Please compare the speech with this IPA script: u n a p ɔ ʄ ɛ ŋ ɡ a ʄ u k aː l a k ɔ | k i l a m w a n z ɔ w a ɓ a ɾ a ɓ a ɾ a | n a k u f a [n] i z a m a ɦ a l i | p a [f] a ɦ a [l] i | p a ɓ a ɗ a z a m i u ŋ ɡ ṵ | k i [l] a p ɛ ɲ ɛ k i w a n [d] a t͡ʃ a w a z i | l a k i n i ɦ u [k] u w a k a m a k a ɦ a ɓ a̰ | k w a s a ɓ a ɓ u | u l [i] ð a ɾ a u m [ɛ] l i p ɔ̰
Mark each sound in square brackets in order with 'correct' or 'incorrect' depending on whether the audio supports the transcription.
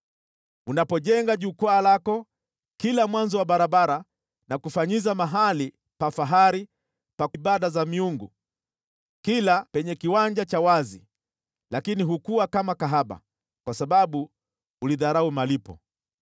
incorrect, correct, incorrect, correct, incorrect, correct, correct, incorrect

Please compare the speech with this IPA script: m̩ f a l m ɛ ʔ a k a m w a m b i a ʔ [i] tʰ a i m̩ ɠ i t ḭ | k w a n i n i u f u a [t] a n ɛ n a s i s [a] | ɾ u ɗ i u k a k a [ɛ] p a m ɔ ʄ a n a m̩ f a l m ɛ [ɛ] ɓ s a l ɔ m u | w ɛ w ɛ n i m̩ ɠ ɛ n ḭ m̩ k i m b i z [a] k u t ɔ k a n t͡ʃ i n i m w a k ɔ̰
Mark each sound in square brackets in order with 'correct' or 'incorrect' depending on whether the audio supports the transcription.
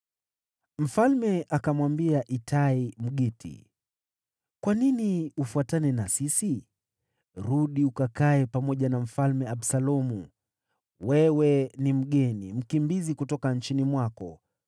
correct, correct, incorrect, correct, incorrect, incorrect

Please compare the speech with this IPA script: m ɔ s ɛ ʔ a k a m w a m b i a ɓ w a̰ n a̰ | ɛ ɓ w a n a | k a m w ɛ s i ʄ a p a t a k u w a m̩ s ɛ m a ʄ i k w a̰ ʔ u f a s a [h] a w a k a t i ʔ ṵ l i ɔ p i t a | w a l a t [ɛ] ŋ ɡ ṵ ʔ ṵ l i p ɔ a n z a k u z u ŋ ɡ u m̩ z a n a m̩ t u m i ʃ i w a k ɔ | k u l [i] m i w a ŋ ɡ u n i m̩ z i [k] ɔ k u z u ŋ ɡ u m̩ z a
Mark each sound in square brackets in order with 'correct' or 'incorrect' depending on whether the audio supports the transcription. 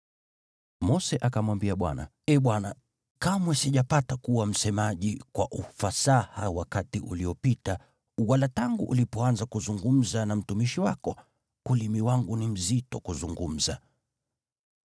correct, incorrect, correct, incorrect

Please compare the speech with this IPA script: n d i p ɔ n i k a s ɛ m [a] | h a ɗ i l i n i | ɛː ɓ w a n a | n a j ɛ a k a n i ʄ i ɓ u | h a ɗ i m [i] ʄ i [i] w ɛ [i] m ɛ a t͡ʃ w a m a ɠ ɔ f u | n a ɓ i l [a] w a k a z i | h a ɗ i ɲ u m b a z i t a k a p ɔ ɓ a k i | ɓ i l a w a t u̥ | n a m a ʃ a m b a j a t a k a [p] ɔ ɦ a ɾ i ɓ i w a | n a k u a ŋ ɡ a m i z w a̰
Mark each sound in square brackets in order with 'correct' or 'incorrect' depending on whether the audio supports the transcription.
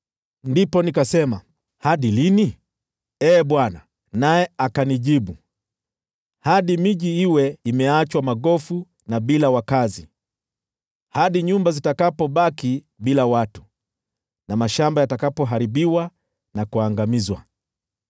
correct, correct, correct, correct, correct, correct

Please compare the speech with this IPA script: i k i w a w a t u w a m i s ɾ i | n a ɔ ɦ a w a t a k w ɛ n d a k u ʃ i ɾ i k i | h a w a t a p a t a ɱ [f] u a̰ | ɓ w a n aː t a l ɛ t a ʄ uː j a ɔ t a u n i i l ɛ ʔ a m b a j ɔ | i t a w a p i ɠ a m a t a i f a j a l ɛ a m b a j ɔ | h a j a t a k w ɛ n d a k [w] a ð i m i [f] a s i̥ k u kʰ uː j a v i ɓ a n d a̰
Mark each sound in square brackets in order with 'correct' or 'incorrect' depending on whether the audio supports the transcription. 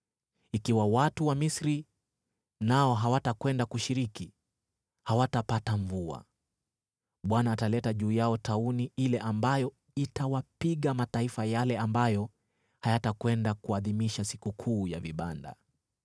incorrect, incorrect, incorrect

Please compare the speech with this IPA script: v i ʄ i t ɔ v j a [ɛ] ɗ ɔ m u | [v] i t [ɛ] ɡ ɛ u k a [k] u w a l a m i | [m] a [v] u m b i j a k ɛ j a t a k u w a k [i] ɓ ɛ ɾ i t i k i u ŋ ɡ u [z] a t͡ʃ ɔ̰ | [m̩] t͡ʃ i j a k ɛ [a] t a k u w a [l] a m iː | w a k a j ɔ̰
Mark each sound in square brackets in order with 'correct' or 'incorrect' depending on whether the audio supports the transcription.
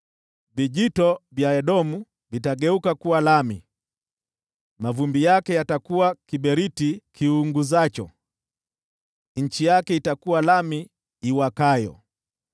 correct, correct, incorrect, correct, correct, correct, correct, correct, incorrect, incorrect, correct

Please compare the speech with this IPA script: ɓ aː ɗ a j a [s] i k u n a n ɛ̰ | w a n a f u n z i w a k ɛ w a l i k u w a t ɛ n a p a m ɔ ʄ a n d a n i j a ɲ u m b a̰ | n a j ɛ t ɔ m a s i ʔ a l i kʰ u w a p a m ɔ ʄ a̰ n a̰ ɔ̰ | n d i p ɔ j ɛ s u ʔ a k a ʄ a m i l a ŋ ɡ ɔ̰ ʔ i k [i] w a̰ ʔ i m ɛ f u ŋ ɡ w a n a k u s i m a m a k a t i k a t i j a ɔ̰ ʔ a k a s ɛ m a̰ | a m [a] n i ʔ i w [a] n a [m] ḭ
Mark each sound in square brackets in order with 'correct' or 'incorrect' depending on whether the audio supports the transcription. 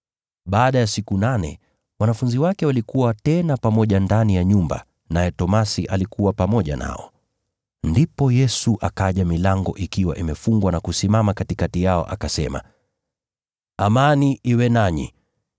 correct, correct, correct, incorrect, incorrect

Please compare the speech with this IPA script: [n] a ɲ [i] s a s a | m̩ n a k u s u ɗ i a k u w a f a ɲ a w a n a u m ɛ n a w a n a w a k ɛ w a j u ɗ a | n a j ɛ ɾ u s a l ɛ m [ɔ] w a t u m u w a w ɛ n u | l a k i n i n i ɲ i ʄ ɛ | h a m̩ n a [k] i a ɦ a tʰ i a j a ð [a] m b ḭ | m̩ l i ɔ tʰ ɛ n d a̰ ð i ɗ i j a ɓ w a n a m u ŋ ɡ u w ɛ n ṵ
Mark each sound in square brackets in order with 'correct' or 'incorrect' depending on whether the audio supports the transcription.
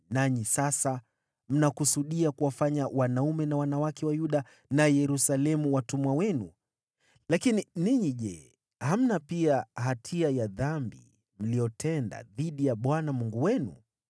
correct, correct, incorrect, incorrect, correct

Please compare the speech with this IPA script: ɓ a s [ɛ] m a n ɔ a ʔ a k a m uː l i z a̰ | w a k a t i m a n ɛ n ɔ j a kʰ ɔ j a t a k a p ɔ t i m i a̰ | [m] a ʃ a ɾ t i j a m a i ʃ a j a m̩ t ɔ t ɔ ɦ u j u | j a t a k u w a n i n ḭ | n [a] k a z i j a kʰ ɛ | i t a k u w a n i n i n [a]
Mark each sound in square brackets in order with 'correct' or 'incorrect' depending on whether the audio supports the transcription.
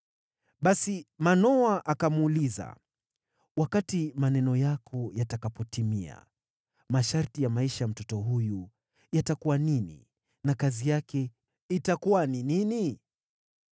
incorrect, correct, correct, incorrect

